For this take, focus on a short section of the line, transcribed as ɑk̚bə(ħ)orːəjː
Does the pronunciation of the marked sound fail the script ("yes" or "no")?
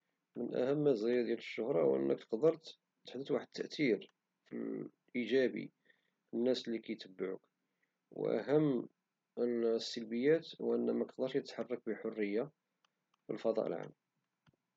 no